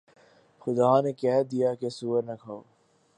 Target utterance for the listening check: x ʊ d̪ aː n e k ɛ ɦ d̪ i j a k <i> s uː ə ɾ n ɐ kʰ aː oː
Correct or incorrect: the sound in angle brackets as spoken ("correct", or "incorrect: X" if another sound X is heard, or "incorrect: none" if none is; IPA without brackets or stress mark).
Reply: incorrect: e